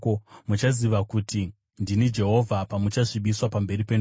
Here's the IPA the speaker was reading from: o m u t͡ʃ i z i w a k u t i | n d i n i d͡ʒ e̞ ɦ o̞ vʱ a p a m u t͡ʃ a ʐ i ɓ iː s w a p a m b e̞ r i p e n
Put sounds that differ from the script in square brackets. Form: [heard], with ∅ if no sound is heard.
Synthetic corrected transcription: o m u t͡ʃ [a] z i [ʋ] a k u t i | n d i n i d͡ʒ e̞ ɦ o̞ vʱ a p a m u t͡ʃ a ʐ i ɓ [i] s w a p a m b e̞ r i p e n